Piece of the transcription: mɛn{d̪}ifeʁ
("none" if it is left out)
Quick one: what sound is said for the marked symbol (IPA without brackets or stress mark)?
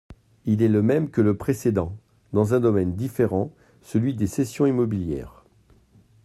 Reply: d̪